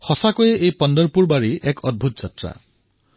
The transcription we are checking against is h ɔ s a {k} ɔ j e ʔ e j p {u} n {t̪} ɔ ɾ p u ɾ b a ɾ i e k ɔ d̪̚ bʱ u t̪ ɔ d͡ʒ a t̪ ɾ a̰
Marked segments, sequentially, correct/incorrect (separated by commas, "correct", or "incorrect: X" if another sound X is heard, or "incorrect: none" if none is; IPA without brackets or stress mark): correct, incorrect: ɔ, incorrect: d̪